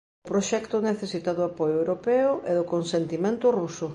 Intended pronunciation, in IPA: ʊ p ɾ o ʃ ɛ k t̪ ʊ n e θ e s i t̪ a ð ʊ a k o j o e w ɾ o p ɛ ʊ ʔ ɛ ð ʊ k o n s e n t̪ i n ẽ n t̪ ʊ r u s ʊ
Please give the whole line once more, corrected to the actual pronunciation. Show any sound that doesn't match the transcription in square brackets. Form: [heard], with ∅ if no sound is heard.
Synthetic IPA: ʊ p ɾ o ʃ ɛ k t̪ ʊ n e θ e s i t̪ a ð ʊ a [p] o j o e w ɾ o p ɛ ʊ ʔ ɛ ð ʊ k o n s e n t̪ i [m] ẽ n t̪ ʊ r u s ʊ